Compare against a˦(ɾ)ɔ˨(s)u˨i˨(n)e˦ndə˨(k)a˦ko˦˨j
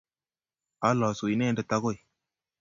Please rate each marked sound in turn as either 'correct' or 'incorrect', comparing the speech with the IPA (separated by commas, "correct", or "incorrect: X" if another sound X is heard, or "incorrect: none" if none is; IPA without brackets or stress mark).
incorrect: l, correct, correct, incorrect: t